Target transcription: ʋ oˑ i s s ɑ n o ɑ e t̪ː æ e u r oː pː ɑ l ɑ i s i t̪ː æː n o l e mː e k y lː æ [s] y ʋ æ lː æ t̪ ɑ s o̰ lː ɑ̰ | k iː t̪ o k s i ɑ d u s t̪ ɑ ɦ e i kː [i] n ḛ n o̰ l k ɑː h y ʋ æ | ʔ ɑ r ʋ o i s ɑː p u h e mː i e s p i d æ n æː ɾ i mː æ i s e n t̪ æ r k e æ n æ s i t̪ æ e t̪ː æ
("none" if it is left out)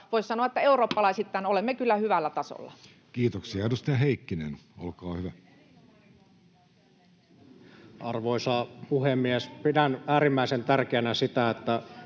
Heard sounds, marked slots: h, i

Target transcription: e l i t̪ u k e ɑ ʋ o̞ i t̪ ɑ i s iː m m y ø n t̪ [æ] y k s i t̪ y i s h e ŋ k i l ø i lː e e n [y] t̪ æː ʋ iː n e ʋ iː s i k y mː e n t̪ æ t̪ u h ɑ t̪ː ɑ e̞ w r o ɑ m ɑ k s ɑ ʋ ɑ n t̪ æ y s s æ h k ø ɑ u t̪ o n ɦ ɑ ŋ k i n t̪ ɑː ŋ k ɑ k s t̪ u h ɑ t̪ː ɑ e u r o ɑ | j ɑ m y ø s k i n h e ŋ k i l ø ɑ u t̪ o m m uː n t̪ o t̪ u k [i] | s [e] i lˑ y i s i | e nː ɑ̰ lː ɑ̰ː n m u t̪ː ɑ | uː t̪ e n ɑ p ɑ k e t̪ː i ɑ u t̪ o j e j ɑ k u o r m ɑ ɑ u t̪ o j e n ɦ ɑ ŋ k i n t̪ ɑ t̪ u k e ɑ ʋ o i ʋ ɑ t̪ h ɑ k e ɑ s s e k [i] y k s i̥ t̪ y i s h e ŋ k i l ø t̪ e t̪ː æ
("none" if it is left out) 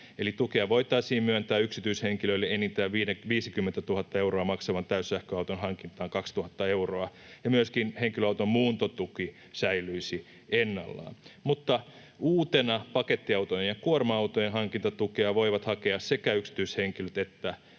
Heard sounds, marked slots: æː, i, i, æ, æ

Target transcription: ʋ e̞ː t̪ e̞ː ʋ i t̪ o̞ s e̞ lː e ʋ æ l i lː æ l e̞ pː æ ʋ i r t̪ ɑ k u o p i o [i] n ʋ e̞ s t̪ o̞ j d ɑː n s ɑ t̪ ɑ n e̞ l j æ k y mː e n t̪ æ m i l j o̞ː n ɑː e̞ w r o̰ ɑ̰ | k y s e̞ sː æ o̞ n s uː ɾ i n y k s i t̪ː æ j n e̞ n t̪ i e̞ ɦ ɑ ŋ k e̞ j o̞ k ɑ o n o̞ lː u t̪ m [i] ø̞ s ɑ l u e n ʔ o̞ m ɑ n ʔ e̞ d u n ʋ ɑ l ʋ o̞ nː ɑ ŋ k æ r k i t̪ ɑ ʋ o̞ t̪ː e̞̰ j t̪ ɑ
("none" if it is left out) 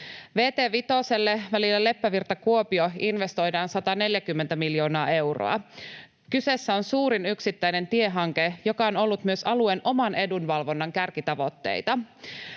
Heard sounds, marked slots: i, y

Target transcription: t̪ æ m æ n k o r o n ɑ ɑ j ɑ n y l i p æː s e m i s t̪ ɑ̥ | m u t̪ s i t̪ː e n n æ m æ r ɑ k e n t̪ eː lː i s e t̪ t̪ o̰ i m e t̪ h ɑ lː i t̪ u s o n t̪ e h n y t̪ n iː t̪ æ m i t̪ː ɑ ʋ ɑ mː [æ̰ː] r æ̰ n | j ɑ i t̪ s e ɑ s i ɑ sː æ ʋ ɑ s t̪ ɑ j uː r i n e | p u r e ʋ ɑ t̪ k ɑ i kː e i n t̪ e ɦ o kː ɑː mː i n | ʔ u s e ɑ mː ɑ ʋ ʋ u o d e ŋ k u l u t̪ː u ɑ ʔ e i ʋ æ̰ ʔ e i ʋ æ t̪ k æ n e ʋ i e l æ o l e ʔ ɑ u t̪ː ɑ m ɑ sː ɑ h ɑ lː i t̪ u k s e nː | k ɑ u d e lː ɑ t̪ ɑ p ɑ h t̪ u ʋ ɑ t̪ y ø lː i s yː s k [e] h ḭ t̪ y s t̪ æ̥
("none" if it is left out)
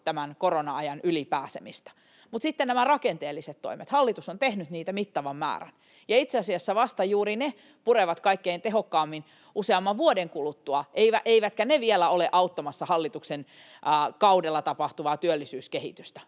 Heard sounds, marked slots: æ̰ː, e

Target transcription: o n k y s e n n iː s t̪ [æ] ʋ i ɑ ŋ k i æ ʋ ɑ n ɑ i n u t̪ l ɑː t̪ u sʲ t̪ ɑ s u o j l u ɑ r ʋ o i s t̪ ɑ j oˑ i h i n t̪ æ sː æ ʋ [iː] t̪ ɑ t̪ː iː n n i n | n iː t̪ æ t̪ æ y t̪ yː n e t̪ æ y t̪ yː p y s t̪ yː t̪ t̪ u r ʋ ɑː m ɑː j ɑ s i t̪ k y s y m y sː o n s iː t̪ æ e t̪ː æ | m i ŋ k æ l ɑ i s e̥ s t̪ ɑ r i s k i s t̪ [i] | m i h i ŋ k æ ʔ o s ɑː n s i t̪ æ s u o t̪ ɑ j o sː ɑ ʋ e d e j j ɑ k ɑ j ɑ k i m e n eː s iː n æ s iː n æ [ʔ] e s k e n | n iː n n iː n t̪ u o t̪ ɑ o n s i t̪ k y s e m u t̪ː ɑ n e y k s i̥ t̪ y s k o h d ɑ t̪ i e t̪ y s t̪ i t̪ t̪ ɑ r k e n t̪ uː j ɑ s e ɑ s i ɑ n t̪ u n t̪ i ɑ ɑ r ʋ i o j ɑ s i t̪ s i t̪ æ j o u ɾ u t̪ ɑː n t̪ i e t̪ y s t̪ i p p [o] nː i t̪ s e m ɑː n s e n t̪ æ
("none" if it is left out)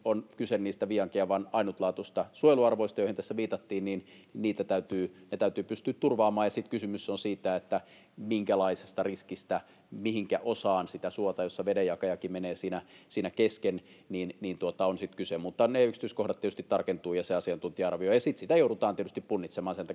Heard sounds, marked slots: æ, iː, æ, k, u

